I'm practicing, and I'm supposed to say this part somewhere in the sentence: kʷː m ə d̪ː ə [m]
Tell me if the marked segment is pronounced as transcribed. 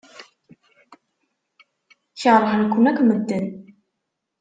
no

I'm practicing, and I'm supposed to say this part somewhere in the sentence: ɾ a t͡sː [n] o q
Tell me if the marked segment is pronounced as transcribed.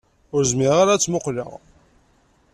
no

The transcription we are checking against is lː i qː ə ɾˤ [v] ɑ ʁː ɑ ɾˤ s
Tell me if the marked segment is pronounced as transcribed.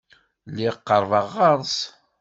yes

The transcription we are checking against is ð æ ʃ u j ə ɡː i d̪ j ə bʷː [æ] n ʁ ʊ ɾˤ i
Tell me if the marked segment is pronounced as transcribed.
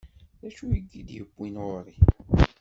no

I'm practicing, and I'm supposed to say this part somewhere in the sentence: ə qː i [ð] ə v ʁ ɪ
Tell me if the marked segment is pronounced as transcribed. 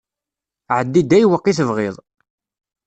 no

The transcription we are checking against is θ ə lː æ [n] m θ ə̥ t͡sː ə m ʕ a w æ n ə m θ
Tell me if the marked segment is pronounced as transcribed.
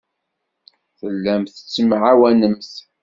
no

